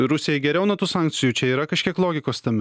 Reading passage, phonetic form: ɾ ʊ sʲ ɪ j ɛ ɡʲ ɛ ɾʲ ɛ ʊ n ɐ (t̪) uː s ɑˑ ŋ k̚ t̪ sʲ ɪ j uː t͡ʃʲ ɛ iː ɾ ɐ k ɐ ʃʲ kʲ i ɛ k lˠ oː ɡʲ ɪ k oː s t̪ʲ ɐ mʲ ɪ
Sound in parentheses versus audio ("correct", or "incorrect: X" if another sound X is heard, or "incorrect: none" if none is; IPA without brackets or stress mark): correct